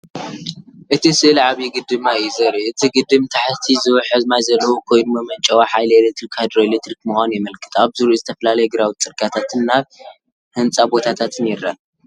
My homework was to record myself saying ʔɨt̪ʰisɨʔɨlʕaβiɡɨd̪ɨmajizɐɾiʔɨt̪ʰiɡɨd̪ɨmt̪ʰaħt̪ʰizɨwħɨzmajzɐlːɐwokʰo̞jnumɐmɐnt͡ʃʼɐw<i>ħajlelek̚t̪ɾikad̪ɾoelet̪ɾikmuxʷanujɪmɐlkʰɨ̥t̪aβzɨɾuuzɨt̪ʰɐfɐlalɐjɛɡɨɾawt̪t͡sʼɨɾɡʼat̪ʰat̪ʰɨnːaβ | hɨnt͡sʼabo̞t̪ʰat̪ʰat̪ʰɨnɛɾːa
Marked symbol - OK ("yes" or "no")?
no